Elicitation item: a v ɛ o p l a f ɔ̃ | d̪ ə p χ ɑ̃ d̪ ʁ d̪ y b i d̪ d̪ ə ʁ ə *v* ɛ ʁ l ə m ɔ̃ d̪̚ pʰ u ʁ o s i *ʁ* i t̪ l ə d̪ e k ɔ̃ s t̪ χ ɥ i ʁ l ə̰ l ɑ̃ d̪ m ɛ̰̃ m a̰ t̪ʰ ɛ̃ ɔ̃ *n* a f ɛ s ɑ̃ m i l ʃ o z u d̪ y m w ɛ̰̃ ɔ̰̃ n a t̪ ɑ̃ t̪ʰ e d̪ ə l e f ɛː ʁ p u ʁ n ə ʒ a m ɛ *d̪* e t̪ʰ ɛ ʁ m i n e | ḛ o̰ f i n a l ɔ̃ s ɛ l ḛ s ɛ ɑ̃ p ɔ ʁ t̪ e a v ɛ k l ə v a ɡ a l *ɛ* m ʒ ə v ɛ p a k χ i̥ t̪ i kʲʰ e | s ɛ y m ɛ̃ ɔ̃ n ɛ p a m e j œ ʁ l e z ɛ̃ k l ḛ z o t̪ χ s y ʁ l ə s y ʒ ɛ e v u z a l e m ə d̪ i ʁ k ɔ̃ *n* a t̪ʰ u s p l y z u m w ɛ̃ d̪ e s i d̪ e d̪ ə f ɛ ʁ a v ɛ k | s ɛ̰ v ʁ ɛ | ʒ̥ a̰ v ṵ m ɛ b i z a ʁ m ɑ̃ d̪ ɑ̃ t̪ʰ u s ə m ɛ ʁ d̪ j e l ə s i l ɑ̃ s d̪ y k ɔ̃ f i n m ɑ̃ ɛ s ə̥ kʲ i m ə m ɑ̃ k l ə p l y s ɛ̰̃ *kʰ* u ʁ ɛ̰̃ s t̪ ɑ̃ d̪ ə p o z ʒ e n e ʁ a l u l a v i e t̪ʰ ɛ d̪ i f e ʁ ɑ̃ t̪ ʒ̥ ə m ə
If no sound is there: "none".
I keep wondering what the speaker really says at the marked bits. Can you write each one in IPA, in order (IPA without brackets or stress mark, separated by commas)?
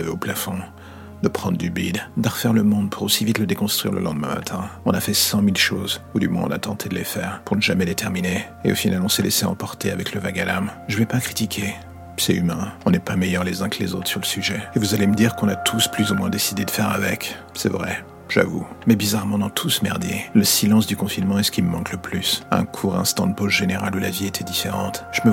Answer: f, v, n, d̪, a, n, kʰ